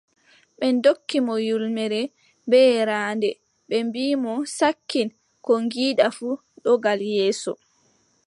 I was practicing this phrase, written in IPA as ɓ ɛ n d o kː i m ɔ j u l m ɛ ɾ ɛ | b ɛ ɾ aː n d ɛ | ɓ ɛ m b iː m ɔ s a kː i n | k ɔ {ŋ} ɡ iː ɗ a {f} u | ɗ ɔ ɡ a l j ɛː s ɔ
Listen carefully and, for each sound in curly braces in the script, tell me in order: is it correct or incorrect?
correct, correct

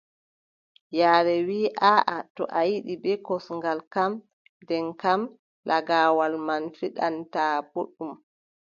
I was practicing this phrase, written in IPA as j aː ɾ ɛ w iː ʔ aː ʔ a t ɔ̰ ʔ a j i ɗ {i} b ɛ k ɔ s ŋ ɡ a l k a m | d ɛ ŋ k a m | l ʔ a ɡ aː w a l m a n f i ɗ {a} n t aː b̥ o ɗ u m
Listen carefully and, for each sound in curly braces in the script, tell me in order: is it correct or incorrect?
correct, correct

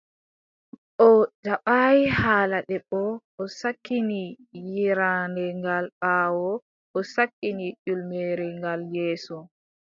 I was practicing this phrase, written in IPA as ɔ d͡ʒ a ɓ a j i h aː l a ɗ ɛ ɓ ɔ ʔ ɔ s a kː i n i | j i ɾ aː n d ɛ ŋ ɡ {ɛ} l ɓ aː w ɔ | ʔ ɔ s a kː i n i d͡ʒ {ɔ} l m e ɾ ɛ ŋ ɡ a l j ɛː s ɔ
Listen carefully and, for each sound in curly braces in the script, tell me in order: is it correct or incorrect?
incorrect, incorrect

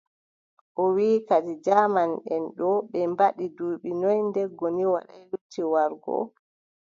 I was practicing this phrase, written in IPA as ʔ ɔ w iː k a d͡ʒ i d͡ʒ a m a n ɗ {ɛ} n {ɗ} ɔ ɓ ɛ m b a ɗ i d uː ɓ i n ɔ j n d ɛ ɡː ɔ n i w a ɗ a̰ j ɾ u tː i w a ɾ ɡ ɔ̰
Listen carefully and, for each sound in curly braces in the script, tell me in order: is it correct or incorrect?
correct, correct

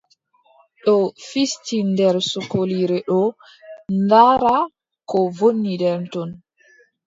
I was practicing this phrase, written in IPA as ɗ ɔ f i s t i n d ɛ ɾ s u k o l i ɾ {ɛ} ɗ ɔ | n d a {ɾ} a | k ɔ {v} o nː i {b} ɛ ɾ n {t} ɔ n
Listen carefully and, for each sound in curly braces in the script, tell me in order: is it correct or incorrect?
correct, correct, correct, incorrect, correct

